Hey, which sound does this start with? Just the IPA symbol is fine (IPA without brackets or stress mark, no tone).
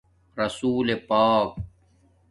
ɾ